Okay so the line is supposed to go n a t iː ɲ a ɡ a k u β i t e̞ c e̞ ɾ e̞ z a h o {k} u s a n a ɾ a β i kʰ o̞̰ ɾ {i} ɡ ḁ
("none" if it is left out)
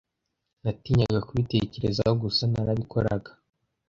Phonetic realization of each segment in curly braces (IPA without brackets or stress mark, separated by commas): ɡ, a